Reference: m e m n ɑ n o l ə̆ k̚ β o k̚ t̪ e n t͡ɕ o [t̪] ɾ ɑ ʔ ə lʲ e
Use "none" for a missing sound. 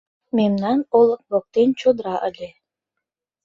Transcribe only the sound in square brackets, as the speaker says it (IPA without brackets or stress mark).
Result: d̪